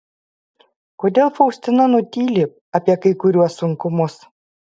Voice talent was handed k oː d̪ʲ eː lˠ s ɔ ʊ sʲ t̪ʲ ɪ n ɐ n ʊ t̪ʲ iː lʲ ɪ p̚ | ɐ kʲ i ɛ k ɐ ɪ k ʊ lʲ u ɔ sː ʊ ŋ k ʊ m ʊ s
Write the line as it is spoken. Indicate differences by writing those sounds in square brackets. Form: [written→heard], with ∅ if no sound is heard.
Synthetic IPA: k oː d̪ʲ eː lˠ [s→f] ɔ ʊ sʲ t̪ʲ ɪ n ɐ n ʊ t̪ʲ iː lʲ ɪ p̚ | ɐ [kʲ→pʲ] i ɛ k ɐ ɪ k ʊ [lʲ→ɾʲ] u ɔ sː ʊ ŋ k ʊ m ʊ s